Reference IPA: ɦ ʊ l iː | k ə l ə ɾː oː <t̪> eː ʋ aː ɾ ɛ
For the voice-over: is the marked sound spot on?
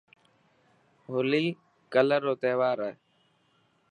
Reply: yes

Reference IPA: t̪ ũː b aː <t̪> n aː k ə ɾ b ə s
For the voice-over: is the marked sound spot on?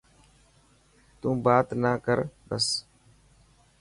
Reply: yes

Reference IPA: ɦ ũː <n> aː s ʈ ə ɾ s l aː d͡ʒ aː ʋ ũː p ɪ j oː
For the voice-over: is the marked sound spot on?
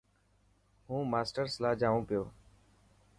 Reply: no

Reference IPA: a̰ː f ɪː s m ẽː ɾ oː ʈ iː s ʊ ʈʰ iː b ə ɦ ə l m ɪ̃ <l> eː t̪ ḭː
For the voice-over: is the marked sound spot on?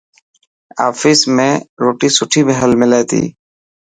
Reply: yes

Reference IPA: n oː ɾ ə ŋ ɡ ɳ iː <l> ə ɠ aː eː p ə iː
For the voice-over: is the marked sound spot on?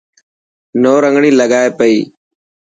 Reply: yes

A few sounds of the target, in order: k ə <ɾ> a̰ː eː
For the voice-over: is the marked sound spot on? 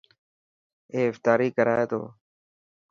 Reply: yes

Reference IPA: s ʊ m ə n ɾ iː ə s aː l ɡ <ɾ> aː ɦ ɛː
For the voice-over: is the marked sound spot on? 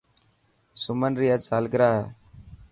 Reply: yes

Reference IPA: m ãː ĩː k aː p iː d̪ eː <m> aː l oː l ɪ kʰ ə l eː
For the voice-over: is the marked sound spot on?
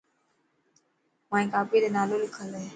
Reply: no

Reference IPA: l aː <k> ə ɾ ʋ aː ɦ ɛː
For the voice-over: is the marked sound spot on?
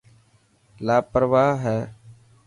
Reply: no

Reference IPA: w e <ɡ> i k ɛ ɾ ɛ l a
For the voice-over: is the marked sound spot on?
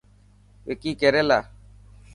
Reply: no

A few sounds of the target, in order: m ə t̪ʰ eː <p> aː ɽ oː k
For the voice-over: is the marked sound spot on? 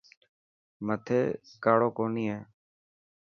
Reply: no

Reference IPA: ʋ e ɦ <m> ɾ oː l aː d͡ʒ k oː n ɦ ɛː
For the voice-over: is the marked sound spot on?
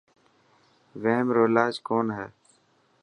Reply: yes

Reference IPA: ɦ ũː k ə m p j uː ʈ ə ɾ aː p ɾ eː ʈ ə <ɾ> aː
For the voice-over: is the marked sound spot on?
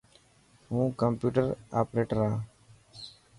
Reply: yes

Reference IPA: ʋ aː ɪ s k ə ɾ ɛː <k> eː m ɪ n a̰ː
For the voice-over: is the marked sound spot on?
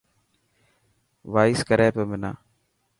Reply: no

